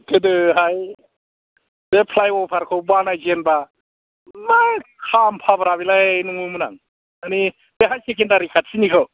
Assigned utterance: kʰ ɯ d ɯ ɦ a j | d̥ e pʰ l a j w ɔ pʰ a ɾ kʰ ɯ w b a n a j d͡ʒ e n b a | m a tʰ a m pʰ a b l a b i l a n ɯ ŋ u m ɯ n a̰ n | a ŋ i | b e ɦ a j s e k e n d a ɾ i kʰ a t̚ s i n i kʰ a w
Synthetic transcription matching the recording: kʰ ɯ d ɯ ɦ a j | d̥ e pʰ l a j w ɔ pʰ a ɾ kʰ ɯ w b a n a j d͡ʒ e n b a | m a kʰ a m pʰ a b ɾ a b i l a n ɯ ŋ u m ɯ n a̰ ŋ | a n i | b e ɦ a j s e k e n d a ɾ i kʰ a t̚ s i n i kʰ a w